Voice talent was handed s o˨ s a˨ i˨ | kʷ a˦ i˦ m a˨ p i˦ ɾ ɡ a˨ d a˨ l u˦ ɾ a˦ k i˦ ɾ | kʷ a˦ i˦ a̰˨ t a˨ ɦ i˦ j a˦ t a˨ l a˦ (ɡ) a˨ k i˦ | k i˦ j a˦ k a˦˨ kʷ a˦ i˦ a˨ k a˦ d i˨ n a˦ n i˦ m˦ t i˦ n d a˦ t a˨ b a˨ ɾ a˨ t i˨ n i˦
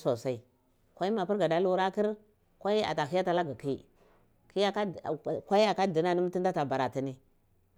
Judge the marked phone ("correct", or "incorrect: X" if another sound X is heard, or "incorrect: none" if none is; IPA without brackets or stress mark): correct